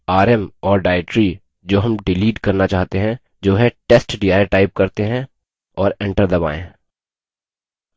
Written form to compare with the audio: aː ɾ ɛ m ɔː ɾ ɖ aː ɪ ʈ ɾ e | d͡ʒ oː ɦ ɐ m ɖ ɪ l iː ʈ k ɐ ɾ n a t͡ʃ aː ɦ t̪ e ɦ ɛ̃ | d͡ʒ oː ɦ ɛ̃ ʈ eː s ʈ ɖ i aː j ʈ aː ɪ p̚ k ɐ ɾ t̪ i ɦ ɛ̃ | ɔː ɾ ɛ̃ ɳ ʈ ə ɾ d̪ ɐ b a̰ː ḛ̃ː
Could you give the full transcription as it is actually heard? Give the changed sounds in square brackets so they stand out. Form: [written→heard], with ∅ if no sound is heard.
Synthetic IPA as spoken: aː ɾ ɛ m ɔː ɾ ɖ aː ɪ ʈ ɾ [e→i] | d͡ʒ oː ɦ ɐ m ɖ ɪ l iː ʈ k ɐ ɾ n a t͡ʃ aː ɦ t̪ e ɦ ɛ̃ | d͡ʒ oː ɦ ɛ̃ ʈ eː s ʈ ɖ i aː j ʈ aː ɪ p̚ k ɐ ɾ t̪ [i→e] ɦ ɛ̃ | ɔː ɾ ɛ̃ ɳ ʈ ə ɾ d̪ ɐ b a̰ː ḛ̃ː